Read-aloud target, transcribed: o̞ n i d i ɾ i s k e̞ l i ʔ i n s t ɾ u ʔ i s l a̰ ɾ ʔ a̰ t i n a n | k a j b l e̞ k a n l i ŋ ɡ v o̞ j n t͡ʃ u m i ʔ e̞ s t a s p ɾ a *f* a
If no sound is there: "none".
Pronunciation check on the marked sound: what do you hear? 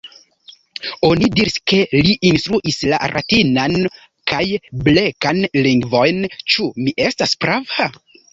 v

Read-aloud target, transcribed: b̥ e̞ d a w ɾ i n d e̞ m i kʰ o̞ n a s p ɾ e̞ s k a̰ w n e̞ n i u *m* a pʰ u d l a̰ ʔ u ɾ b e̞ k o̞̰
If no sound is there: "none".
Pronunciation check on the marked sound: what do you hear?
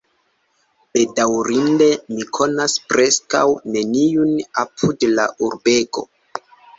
n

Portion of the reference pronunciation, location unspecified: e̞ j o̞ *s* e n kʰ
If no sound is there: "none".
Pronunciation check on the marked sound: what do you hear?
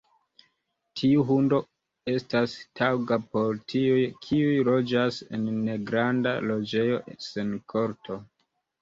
s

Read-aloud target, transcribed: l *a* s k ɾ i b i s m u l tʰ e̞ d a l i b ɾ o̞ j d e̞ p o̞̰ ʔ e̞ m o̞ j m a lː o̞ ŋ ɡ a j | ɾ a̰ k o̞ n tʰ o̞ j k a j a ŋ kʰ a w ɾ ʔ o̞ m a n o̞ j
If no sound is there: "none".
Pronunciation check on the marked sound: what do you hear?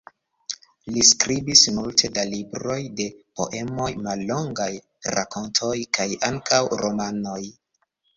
i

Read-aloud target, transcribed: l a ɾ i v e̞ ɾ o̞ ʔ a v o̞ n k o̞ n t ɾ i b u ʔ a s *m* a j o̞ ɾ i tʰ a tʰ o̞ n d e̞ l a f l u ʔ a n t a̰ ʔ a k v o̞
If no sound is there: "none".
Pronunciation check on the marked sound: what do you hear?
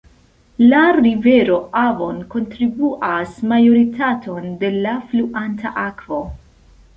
m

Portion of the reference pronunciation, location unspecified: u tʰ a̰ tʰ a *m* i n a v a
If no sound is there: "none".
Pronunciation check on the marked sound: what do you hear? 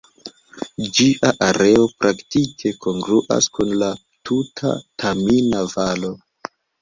m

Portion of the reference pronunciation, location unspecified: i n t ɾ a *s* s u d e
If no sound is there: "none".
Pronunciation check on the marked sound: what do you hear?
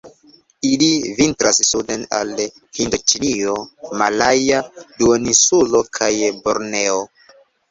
s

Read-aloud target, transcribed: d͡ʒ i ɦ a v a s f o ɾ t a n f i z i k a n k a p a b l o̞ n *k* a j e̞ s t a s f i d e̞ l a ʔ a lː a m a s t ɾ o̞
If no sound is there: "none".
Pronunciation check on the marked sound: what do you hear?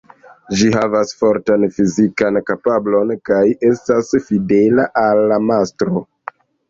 k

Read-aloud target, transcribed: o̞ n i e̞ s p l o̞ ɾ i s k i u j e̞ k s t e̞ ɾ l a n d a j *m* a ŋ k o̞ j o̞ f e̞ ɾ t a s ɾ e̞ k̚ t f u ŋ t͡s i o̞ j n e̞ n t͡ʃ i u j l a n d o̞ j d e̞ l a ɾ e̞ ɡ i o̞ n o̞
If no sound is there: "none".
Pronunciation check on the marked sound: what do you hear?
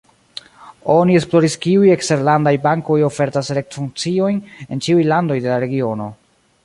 b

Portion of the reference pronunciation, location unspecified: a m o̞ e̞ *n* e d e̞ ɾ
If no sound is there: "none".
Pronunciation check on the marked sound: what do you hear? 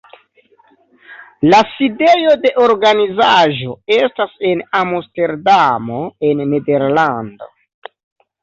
nː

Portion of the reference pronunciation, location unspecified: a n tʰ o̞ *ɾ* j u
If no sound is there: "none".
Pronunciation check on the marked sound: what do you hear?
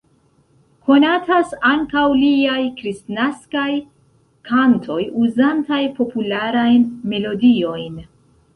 none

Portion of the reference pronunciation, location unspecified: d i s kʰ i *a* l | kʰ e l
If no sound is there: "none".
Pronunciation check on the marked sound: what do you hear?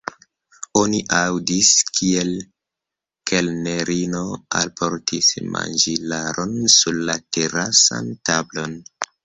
e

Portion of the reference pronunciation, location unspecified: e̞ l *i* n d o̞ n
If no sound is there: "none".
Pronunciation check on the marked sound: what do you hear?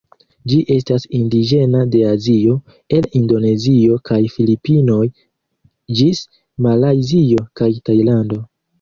i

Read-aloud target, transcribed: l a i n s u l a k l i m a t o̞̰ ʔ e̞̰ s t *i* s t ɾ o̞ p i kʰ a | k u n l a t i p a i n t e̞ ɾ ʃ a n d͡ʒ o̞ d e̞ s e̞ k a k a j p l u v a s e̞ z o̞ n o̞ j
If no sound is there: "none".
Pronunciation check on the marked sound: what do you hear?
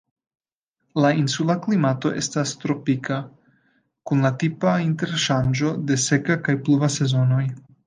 a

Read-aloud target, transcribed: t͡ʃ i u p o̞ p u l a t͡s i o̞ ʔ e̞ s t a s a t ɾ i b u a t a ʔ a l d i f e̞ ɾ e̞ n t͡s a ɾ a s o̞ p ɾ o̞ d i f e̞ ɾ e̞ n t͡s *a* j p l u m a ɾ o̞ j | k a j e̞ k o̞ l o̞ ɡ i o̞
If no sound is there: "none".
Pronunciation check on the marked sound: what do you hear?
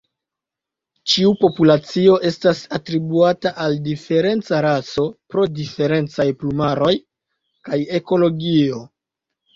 a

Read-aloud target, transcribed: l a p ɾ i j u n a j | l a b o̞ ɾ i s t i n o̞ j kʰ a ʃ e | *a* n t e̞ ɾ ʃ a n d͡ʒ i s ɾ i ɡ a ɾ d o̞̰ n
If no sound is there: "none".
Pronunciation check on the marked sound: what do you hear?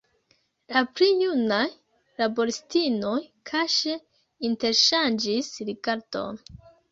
i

